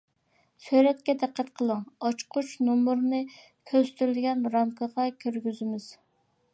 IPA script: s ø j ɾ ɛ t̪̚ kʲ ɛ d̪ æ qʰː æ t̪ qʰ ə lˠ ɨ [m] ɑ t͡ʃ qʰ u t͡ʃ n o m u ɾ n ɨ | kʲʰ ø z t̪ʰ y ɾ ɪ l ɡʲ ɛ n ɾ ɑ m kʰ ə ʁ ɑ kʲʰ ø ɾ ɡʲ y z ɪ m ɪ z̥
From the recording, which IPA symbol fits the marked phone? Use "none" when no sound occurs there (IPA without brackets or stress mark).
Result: ŋ